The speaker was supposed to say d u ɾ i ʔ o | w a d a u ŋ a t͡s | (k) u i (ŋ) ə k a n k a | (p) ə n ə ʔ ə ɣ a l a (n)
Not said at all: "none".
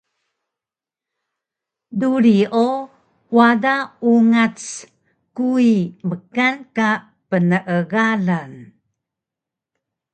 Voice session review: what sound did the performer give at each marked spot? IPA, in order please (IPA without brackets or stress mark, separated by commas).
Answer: k, m, p, n